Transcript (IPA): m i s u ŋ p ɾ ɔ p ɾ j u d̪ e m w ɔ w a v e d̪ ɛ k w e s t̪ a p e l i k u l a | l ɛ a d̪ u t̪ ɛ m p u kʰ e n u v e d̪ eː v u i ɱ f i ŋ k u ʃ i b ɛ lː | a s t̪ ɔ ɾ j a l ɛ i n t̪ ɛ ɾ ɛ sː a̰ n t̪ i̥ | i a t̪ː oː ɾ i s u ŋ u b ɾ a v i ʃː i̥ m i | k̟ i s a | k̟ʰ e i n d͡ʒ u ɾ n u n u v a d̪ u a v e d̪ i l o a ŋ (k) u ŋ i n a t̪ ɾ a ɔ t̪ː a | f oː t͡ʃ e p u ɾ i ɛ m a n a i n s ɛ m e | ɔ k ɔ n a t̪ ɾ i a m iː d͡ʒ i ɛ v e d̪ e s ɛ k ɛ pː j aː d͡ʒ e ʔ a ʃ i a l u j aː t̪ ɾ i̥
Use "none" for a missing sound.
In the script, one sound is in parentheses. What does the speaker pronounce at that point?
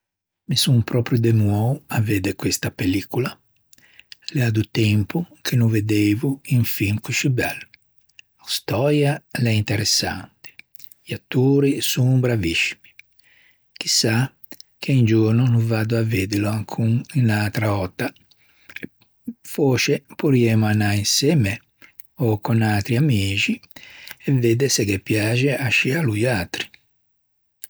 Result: kʰ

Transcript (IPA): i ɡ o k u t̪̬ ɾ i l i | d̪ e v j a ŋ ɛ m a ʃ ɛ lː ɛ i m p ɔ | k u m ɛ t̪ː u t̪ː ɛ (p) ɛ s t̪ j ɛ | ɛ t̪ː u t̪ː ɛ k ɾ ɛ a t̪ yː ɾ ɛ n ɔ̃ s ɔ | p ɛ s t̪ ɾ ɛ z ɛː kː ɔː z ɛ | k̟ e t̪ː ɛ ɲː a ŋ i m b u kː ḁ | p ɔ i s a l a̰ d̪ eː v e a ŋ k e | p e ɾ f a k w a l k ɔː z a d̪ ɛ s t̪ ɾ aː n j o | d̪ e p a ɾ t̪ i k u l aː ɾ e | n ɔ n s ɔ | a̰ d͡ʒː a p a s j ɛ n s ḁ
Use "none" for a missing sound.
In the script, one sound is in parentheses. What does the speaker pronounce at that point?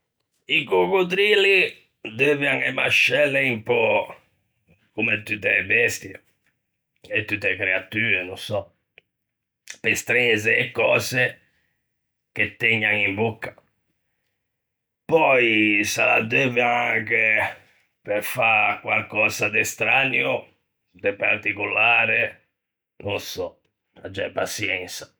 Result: b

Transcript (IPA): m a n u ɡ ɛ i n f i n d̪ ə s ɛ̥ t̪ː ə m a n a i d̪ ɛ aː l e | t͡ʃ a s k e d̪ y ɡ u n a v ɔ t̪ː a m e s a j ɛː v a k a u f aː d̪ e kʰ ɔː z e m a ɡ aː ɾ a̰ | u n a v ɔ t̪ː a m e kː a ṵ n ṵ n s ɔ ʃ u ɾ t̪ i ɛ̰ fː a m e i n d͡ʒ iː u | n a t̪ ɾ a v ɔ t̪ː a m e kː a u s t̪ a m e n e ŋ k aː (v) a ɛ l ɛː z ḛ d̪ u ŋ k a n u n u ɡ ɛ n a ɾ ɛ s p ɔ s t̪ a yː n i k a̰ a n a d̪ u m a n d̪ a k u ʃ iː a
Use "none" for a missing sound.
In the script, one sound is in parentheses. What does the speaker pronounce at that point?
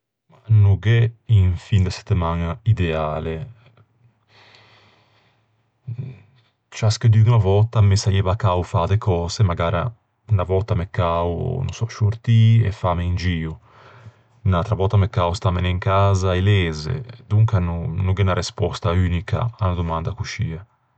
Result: z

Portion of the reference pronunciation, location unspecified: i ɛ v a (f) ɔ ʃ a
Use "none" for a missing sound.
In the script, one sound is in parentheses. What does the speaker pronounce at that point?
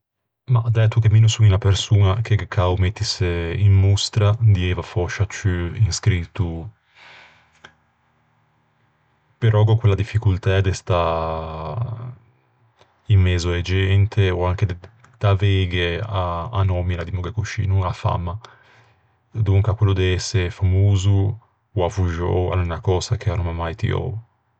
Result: f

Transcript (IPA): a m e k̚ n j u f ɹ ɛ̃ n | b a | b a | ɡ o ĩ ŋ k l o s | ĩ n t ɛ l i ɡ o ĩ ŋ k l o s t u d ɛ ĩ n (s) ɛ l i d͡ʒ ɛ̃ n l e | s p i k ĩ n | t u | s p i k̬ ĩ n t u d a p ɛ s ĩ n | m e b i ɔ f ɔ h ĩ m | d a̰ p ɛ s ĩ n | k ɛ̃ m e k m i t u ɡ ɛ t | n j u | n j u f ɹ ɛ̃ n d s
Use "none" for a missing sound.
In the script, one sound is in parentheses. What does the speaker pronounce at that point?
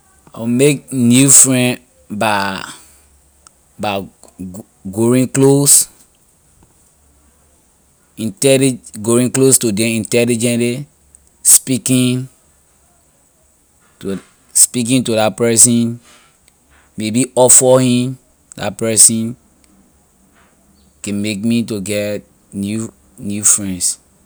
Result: t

